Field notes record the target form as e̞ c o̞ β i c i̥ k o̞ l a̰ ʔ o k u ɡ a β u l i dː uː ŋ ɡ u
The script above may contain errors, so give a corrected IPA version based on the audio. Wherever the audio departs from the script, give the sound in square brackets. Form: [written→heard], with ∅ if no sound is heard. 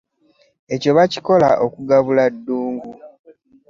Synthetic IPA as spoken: e̞ c o̞ β [i→a] c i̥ k o̞ l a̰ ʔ o k u ɡ a β u l [i→a] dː uː ŋ ɡ u